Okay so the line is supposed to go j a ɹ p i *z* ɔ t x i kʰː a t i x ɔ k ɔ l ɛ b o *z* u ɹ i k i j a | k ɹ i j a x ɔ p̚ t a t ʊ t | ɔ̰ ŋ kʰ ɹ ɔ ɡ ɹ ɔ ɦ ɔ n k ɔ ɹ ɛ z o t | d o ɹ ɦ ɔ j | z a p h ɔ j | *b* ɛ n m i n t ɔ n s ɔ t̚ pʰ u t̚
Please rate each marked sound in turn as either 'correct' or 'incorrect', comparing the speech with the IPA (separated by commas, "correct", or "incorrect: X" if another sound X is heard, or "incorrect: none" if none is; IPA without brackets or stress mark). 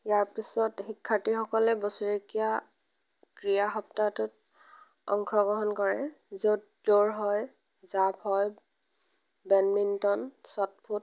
incorrect: s, incorrect: s, correct